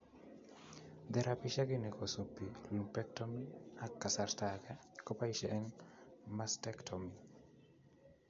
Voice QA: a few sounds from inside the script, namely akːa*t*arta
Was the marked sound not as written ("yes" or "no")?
yes